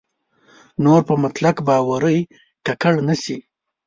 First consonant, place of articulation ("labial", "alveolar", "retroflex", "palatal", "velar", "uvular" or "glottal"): alveolar